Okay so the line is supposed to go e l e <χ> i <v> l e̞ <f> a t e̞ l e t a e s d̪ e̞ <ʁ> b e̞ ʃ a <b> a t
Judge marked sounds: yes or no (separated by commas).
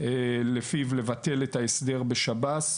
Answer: no, yes, no, yes, yes